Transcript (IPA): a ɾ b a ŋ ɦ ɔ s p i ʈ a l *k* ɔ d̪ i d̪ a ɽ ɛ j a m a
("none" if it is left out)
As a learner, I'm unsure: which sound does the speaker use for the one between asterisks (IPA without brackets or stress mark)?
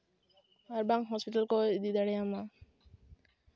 k